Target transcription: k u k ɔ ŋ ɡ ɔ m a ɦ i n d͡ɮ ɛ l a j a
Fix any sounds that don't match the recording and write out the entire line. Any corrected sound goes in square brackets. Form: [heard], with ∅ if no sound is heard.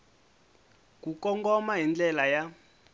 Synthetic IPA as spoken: k u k ɔ ŋ ɡ ɔ m a ɦ i n d͡ɮ ɛ l a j a